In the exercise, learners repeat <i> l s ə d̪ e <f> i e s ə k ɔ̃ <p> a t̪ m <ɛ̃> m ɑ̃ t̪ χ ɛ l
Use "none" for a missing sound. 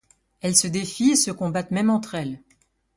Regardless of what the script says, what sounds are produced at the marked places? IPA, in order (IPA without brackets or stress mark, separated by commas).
ɛ, f, b, ɛ